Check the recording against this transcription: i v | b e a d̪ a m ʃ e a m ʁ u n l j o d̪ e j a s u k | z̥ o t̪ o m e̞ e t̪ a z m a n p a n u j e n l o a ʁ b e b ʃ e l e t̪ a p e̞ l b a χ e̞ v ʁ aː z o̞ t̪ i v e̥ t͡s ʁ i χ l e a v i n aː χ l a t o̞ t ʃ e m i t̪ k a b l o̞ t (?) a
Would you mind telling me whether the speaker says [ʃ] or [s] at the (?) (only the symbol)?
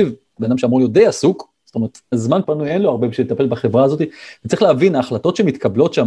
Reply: ʃ